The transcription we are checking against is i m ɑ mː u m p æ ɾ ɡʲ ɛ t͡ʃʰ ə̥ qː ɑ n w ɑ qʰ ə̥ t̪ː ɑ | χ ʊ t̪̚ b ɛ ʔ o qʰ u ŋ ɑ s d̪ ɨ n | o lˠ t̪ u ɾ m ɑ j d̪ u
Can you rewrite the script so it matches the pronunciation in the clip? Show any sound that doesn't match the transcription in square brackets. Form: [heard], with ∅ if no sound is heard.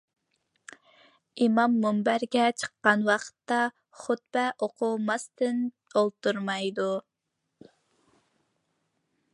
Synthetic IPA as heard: i m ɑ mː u m [b] æ ɾ ɡʲ ɛ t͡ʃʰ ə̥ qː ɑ n w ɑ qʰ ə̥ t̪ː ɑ | χ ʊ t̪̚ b ɛ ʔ o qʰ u [m] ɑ s [t̪] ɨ n | o lˠ t̪ u ɾ m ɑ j d̪ u